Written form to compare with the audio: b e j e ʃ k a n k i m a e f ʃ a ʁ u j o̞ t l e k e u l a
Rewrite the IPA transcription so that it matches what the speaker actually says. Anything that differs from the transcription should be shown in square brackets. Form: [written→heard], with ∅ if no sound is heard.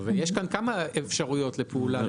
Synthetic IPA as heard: [b→v] e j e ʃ k a n k [i→a] m a e f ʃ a ʁ u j o̞ t l e [k→p] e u l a